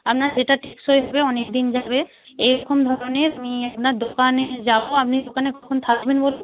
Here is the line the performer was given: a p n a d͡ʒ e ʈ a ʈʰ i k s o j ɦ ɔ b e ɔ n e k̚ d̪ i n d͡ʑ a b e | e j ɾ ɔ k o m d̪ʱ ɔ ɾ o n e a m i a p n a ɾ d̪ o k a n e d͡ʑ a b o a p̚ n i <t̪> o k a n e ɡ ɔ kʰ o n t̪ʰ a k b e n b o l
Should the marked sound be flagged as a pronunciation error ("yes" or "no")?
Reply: yes